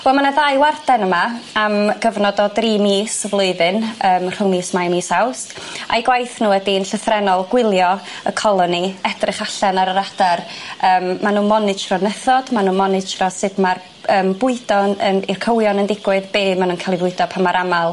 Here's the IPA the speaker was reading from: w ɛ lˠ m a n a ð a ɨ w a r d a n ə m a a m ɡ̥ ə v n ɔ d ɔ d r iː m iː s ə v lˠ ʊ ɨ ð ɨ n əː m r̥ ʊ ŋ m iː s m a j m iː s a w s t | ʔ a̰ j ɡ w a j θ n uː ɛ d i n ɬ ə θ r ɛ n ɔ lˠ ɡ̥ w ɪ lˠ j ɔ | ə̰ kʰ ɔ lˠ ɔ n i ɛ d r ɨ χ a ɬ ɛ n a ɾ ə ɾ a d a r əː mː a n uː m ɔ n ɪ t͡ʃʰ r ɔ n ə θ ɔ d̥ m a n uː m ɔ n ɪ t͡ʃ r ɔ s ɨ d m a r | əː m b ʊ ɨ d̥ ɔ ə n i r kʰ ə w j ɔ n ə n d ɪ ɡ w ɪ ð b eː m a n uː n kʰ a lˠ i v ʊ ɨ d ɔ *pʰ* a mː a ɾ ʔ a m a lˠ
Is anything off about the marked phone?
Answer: no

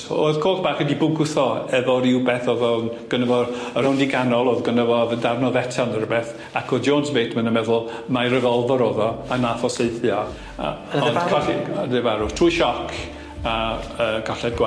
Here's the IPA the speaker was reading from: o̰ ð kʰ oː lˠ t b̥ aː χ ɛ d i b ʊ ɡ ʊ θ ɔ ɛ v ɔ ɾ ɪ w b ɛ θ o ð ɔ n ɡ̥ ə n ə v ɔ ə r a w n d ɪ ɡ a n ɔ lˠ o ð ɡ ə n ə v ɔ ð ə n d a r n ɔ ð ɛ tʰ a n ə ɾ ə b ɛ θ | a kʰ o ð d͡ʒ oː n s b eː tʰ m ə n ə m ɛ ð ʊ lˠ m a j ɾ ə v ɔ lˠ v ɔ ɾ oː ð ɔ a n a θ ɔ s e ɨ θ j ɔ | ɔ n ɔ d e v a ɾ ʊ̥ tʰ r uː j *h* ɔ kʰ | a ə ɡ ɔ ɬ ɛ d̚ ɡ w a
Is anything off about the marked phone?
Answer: yes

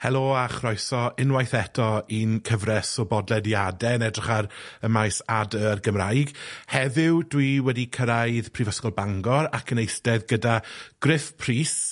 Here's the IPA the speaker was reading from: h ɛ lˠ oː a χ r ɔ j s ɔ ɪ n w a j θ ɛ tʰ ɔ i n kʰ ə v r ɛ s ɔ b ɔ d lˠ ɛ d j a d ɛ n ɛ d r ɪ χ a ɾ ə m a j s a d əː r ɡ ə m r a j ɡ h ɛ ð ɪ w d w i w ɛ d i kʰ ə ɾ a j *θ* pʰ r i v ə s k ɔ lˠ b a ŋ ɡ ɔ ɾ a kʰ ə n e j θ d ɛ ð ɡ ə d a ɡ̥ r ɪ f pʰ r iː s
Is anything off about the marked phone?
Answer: yes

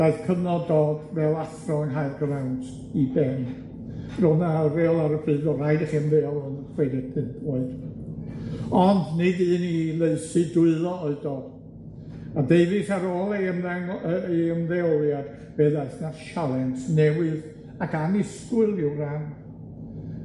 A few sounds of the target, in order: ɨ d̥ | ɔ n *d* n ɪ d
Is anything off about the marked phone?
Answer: no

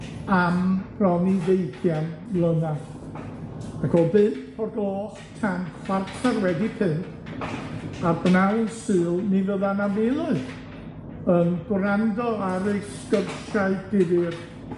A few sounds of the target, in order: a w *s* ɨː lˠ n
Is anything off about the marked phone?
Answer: no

